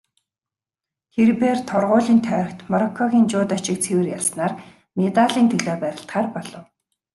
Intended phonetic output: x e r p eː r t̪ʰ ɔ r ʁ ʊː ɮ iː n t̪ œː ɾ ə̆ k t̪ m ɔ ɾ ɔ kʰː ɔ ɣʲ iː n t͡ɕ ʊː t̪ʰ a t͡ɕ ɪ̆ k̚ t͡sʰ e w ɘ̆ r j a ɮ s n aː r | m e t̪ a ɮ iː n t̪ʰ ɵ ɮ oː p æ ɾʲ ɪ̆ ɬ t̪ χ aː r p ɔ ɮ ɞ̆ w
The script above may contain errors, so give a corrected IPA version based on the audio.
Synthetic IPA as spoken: x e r p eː r t̪ʰ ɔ r ʁ ʊː ɮ iː n t̪ʰ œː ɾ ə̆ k t̪ m ɔ ɾ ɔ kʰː ɔ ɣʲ iː n t͡ɕ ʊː t̪ a t͡ɕ ɪ̆ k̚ t͡sʰ e w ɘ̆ r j a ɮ s n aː r | m e t̪ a ɮ iː n t̪ʰ ɵ ɮ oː p æ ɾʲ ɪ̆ ɬ t̪ χ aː r p ɔ ɮ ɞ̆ w